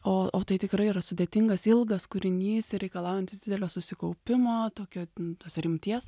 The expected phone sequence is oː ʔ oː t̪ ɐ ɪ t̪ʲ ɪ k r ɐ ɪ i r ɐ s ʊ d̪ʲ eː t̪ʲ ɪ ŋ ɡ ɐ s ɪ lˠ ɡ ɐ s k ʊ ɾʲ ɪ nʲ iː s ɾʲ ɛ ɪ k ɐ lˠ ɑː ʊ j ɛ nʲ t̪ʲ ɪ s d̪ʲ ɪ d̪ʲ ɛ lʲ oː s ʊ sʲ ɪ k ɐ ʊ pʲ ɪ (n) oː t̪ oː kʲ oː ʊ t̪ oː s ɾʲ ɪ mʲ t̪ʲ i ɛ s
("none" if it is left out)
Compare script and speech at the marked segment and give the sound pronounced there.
m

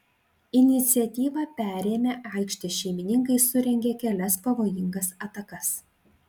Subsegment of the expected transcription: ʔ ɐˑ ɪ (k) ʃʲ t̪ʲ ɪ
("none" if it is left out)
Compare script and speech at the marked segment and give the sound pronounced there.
k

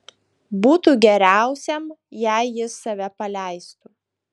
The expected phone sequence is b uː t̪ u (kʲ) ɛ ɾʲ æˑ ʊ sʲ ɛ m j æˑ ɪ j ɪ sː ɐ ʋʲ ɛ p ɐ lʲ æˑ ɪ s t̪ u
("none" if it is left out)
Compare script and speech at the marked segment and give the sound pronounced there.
ɡʲ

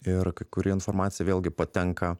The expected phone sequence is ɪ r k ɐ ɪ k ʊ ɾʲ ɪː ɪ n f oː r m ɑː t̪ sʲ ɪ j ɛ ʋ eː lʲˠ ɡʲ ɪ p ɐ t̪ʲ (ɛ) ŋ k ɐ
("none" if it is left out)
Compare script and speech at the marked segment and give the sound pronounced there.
ɛ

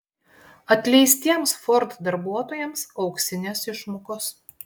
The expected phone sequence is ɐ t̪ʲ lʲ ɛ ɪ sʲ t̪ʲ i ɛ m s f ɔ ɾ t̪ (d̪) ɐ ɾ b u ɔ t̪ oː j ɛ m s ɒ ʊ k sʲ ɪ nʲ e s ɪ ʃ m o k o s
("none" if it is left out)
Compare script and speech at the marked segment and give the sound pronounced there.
d̪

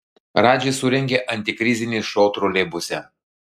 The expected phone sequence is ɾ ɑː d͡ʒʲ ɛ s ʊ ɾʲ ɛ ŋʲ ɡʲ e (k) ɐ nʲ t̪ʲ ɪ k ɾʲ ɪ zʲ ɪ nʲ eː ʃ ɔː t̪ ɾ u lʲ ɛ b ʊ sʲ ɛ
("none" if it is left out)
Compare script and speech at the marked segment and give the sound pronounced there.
ʔ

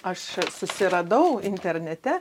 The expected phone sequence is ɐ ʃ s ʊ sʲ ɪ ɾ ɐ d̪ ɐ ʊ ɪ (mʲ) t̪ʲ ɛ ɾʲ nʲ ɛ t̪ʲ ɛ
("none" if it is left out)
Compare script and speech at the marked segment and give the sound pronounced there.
nʲ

